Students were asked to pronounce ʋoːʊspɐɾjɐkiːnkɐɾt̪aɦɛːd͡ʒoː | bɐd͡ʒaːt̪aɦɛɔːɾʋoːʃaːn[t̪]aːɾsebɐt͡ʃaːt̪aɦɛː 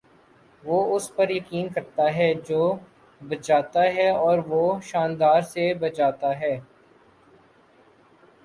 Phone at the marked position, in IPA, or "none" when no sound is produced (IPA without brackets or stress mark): d̪